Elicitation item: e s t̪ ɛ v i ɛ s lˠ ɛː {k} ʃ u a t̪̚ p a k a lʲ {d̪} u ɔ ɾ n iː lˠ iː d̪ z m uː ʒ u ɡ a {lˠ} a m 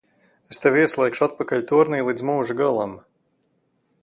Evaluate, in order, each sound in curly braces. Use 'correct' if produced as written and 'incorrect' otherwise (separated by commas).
correct, incorrect, correct